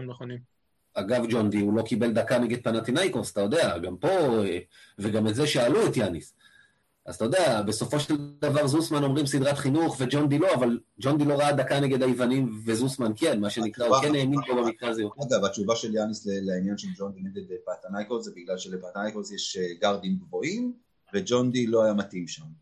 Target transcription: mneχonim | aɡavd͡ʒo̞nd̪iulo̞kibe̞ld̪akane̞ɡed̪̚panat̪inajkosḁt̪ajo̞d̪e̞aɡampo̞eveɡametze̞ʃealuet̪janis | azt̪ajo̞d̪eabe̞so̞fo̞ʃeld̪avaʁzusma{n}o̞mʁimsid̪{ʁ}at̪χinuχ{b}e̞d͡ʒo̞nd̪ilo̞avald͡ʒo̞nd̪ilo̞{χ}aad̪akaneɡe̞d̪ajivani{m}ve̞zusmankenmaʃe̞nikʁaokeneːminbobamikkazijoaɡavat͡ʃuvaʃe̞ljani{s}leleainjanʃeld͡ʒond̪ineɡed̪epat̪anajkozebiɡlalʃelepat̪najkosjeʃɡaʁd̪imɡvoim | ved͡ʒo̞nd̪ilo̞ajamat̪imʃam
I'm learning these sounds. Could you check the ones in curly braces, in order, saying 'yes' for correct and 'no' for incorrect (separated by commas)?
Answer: yes, yes, no, no, yes, yes